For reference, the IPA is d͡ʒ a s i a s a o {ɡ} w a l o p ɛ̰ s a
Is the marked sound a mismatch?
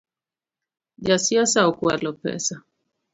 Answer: yes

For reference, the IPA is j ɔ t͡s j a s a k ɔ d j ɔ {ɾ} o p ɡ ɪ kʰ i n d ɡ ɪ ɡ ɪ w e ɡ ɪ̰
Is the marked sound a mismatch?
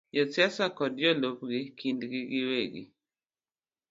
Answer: yes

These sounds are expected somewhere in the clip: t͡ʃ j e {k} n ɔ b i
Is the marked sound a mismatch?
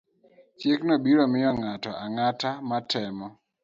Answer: no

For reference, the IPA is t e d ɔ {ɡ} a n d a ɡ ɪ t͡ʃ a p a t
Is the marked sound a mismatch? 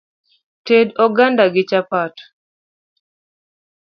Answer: no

